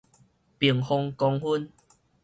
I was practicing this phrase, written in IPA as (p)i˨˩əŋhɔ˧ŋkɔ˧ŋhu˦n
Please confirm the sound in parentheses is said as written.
yes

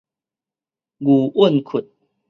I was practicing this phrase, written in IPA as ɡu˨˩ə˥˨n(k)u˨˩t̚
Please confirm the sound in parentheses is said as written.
no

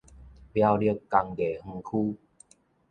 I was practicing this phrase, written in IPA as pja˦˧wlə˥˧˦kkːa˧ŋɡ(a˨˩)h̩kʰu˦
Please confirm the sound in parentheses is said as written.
no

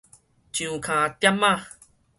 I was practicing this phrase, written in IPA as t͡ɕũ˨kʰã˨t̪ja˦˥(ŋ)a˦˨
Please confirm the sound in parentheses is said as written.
no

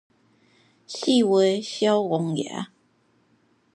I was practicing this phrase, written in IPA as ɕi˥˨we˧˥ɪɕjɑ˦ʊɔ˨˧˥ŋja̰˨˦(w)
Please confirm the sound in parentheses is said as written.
no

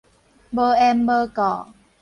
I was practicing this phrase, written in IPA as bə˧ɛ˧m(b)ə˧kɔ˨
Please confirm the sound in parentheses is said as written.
yes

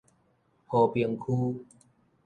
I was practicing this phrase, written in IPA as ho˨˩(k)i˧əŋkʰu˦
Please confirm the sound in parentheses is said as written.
no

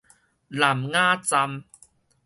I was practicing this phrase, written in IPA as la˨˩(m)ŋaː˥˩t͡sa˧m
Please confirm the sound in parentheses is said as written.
yes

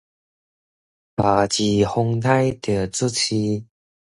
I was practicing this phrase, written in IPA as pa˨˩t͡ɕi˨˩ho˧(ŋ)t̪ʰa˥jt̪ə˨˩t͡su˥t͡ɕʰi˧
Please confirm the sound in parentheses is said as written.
yes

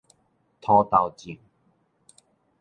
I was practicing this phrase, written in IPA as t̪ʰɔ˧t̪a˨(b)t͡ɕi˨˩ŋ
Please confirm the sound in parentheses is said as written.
no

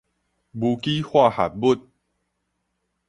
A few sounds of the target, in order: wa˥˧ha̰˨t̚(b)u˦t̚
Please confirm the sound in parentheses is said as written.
yes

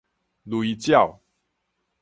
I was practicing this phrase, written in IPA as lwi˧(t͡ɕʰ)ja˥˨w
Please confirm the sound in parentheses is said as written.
no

